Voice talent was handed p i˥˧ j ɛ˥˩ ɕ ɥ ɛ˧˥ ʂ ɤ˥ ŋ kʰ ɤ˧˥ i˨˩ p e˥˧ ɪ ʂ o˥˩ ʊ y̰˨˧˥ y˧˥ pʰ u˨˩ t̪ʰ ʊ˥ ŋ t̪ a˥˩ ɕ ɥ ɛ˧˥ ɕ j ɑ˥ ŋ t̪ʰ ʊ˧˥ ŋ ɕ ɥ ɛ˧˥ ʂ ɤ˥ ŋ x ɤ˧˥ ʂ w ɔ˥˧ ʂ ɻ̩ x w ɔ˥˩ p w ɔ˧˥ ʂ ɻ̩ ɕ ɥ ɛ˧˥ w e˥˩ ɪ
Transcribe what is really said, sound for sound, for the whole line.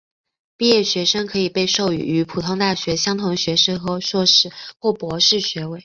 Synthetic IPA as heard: p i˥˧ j ɛ˥˩ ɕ ɥ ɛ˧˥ ʂ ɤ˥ ŋ kʰ ɤ˧˥ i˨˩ p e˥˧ ɪ ʂ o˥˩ ʊ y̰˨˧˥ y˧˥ pʰ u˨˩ t̪ʰ ʊ˥ ŋ t̪ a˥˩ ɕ ɥ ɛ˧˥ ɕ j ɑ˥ ŋ t̪ʰ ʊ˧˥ ŋ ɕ ɥ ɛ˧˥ ʂ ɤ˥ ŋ x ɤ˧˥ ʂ w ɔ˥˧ ʂ ɻ̩ x w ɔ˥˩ p w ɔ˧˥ ʂ ɻ̩ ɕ ɥ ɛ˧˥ w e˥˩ ɪ